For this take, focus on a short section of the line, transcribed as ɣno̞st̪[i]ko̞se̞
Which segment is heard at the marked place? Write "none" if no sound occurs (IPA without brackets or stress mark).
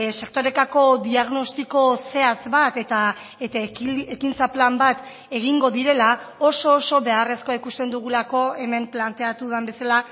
i